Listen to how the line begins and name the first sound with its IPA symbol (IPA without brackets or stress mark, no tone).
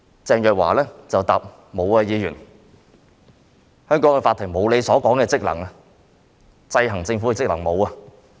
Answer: t͡s